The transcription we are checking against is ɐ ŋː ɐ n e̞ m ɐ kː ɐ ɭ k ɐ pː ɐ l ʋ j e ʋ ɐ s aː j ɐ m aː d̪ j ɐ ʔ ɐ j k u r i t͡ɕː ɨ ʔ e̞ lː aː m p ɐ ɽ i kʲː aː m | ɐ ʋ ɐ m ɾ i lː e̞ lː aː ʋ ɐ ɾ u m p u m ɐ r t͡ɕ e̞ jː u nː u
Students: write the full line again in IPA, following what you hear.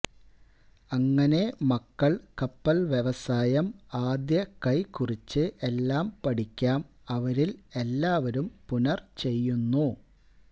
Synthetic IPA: ɐ ŋː ɐ n e̞ m ɐ kː ɐ ɭ k ɐ pː ɐ l ʋ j e ʋ ɐ s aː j ɐ m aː d̪ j ɐ k ɐ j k u r i t͡ɕː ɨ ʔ e̞ lː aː m p ɐ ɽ i kʲː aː m | ɐ ʋ ɐ ɾ i l e̞ lː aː ʋ ɐ ɾ u m p u n ɐ r t͡ɕ e̞ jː u nː u